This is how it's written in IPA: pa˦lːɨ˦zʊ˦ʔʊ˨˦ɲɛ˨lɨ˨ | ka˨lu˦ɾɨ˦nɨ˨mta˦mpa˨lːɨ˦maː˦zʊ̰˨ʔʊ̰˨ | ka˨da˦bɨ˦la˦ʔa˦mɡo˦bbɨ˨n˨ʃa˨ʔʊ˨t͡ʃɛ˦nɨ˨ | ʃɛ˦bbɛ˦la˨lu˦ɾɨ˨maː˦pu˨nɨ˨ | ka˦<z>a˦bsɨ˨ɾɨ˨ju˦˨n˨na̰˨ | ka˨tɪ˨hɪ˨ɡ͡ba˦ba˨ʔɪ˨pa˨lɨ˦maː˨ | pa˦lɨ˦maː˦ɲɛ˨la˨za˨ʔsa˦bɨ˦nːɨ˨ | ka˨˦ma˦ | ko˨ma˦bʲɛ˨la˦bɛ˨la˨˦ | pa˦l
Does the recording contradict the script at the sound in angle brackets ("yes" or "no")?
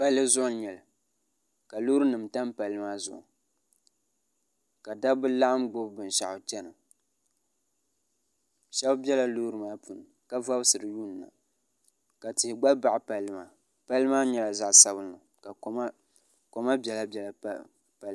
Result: yes